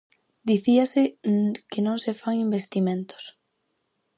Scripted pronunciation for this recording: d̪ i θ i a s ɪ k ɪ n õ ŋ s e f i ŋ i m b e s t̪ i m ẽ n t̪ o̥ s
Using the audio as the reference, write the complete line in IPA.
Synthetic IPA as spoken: d̪ i θ i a s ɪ k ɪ n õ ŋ s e f a ŋ i m b e s t̪ i m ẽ n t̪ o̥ s